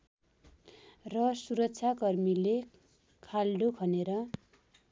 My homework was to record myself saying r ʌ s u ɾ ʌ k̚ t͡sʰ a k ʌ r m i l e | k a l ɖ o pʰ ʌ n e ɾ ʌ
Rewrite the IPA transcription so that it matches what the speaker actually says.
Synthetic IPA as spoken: r ʌ s u ɾ ʌ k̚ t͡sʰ a k ʌ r m i l e | kʰ a l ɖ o kʰ ʌ n e ɾ ʌ